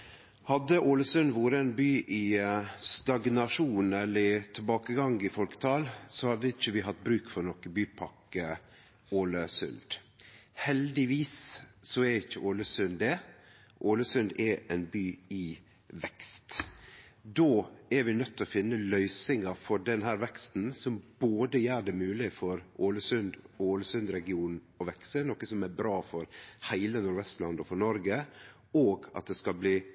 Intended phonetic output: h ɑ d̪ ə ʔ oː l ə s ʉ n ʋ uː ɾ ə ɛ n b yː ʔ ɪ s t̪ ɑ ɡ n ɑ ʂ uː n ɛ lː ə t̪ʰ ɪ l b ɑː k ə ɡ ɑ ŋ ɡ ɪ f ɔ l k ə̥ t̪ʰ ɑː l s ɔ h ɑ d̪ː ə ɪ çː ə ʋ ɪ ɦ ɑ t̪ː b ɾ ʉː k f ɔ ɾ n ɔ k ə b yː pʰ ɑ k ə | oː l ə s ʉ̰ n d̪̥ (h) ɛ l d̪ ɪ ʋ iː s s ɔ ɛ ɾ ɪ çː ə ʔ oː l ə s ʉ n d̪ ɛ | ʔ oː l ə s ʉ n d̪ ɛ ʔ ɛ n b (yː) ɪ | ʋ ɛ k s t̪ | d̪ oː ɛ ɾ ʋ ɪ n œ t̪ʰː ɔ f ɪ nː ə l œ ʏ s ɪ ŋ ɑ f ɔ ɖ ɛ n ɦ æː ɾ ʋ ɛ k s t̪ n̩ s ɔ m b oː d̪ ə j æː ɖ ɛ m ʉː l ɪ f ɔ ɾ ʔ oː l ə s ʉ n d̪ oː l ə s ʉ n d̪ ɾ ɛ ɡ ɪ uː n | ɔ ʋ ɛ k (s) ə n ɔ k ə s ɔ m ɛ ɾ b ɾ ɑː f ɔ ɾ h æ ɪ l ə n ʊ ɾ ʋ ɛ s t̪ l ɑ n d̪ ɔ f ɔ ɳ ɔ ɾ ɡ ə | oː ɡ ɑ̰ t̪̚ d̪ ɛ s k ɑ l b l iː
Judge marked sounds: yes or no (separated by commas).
yes, yes, yes